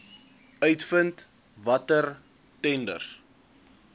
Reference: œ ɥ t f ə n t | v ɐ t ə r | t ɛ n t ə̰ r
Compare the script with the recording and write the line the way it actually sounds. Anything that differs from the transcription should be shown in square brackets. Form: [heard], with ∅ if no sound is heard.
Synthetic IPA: œ ɥ t f ə n t | v ɐ t ə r | t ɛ n [d] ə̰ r